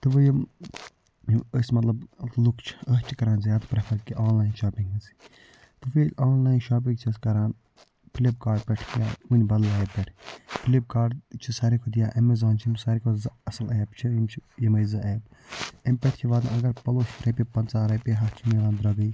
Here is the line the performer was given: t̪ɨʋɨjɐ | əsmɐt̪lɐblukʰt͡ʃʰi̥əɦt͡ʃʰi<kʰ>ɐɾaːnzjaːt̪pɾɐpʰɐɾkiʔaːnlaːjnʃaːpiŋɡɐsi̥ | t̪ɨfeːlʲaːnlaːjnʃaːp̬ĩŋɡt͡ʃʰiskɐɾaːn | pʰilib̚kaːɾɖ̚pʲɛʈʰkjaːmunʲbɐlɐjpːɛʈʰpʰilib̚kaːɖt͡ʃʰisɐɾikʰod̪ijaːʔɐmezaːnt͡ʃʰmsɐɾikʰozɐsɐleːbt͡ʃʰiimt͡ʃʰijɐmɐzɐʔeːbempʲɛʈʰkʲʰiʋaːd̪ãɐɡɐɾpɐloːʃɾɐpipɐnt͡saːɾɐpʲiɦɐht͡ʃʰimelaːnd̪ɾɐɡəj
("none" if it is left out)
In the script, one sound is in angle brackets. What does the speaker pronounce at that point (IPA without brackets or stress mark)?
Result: k